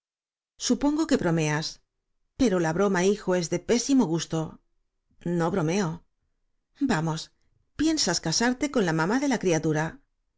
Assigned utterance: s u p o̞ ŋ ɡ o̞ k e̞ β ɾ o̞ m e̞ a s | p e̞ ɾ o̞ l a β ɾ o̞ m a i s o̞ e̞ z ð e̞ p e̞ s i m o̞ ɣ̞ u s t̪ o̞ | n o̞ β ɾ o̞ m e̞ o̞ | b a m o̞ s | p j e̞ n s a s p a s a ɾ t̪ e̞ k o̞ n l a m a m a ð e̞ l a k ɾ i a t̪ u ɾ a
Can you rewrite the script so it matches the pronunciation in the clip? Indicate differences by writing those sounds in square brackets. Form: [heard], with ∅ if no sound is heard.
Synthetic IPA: s u p o̞ ŋ ɡ o̞ k e̞ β ɾ o̞ m e̞ a s | p e̞ ɾ o̞ l a β ɾ o̞ m a i [x] o̞ e̞ z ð e̞ p e̞ s i m o̞ ɣ̞ u s t̪ o̞ | n o̞ β ɾ o̞ m e̞ o̞ | b a m o̞ s | p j e̞ n s a s [k] a s a ɾ t̪ e̞ k o̞ n l a m a m a ð e̞ l a k ɾ i a t̪ u ɾ a